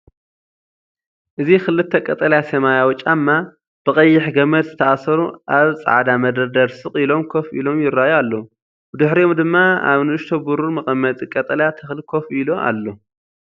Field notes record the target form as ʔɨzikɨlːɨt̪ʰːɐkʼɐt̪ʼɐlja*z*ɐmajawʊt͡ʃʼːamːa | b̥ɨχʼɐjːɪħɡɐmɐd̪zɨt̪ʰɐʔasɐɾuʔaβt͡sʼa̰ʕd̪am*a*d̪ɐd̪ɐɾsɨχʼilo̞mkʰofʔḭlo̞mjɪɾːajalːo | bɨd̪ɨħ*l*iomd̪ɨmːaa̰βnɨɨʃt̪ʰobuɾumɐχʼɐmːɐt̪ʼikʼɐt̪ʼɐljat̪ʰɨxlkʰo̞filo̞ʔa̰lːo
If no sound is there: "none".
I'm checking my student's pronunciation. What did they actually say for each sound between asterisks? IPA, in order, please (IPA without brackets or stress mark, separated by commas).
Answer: s, ɐ, ɾ